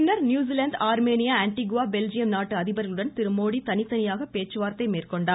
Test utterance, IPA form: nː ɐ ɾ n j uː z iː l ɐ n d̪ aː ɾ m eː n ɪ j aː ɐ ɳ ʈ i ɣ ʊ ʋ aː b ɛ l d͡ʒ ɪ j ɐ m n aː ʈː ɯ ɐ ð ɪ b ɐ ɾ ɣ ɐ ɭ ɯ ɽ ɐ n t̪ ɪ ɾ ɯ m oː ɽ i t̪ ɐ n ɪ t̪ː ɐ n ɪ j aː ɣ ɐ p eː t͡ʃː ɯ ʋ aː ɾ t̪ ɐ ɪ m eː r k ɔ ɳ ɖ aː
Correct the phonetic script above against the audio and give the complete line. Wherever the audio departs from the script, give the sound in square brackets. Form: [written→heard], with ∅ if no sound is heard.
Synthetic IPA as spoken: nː ɐ ɾ n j uː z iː l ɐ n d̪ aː ɾ m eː n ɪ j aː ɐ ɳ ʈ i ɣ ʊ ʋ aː b ɛ l d͡ʒ ɪ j ɐ m n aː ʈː ɯ ɐ ð ɪ b ɐ ɾ ɣ ɐ ɭ ɯ ɽ ɐ n t̪ ɪ ɾ ɯ m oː ɽ i t̪ ɐ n ɪ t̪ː ɐ n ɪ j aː ɣ ɐ p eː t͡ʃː ɯ ʋ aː ɾ t̪ ɐ ɪ m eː r k ɔ ɳ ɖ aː